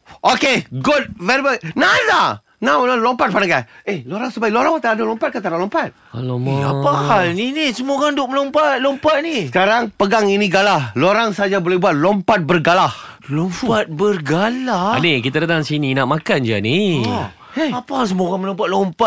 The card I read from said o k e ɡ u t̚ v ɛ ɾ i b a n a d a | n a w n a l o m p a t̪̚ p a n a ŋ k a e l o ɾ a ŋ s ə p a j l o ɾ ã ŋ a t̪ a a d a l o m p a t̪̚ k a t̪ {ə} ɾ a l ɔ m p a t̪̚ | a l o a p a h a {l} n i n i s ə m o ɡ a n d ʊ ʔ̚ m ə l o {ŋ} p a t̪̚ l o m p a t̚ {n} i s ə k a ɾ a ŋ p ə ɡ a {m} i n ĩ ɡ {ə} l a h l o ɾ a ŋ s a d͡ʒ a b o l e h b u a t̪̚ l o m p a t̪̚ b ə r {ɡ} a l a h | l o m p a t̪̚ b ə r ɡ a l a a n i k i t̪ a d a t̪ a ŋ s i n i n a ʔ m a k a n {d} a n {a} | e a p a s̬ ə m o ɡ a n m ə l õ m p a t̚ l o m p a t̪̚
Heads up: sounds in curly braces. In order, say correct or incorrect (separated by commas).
incorrect, correct, incorrect, correct, incorrect, incorrect, correct, incorrect, incorrect